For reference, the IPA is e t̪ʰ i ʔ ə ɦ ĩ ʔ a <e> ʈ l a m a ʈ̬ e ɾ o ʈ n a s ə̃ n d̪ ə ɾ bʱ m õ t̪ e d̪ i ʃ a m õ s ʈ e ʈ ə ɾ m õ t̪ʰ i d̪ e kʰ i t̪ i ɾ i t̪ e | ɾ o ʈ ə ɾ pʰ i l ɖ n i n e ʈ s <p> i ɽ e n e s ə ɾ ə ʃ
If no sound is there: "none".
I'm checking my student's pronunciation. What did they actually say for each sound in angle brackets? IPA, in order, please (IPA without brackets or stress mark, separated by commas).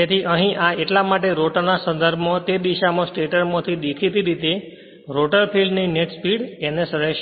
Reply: e, p